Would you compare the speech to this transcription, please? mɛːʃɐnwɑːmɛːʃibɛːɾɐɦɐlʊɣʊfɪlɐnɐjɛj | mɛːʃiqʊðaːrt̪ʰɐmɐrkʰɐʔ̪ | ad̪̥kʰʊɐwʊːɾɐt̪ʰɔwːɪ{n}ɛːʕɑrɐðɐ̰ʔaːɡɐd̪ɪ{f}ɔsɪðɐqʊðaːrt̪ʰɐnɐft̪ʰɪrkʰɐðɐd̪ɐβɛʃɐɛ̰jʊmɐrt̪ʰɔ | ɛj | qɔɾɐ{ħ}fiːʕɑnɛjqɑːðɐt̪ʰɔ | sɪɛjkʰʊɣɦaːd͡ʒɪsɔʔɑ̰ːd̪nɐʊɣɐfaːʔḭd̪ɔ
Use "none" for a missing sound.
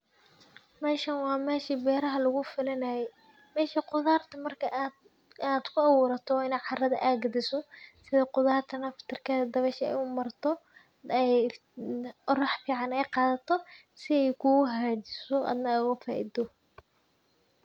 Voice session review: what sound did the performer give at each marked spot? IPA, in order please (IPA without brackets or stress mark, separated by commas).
n, s, ħ